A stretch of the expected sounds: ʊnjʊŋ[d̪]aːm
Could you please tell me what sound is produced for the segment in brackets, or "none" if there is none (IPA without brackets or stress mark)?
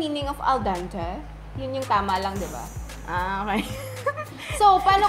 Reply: t̪